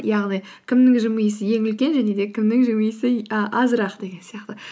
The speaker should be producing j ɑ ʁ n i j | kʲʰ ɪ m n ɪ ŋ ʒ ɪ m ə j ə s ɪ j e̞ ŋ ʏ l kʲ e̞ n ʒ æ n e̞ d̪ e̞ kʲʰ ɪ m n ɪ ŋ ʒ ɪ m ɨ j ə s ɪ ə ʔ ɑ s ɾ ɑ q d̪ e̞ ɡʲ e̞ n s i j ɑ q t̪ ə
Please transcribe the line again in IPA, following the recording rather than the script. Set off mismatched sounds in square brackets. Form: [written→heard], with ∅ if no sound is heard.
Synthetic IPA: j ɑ ʁ n i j | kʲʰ ɪ m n ɪ ŋ ʒ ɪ m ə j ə s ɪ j e̞ ŋ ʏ l kʲ e̞ n ʒ æ n e̞ d̪ e̞ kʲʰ ɪ m n ɪ ŋ ʒ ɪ m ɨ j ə s ɪ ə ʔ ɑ [s→z] ɾ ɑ q d̪ e̞ ɡʲ e̞ n s i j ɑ q t̪ ə